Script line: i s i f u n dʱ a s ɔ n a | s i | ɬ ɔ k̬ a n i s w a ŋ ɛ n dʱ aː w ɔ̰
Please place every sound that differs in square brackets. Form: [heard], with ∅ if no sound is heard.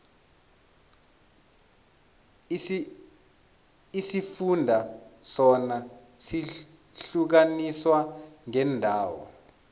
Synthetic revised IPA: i s i f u n dʱ a s ɔ n a | s i | ɬ [u] k̬ a n i s w a ŋ ɛ n dʱ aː w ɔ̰